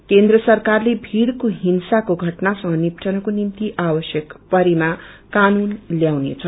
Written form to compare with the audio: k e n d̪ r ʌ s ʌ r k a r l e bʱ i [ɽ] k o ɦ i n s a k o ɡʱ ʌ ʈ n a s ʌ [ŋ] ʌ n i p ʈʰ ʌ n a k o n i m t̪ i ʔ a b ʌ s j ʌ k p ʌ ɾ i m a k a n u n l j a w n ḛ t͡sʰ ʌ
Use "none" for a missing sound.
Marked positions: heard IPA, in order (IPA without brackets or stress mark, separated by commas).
ɽ, ŋ